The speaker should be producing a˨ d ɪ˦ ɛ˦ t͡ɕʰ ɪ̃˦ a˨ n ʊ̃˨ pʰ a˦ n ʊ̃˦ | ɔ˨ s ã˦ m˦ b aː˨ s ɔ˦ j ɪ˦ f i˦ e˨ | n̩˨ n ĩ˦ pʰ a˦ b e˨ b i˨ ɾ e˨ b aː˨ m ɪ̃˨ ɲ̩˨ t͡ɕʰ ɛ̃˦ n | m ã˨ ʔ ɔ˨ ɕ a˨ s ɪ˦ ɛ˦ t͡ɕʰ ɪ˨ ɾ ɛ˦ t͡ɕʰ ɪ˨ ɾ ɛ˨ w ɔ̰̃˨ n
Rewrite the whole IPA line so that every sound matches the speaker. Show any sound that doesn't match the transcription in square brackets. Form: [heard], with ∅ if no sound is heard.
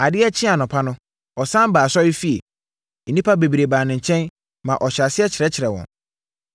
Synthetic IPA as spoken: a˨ d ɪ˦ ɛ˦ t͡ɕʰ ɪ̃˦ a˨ n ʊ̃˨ pʰ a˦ n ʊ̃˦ | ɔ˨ s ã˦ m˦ b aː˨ s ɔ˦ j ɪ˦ f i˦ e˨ | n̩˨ n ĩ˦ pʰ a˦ b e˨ b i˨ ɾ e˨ b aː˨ [n] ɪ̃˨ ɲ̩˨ t͡ɕʰ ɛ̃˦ n | m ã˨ ʔ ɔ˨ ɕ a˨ s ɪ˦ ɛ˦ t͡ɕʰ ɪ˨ ɾ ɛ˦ t͡ɕʰ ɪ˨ ɾ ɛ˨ w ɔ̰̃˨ n

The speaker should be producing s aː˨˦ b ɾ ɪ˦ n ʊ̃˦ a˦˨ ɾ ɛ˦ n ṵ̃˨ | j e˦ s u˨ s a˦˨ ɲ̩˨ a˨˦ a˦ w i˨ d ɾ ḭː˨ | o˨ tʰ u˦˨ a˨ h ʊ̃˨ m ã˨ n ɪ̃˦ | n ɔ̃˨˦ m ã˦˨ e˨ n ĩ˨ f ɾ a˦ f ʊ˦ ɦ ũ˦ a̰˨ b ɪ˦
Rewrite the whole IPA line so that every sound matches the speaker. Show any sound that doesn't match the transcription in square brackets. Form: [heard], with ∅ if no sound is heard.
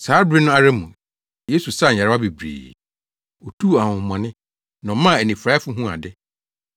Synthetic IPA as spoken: s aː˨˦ b ɾ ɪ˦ n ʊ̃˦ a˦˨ ɾ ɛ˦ [m] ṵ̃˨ | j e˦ s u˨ s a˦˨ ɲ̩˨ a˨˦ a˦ [b] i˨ [b] ɾ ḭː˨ | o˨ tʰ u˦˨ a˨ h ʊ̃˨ m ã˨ n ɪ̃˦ | n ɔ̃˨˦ m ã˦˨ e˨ n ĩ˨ f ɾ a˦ f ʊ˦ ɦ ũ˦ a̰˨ [d] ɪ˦

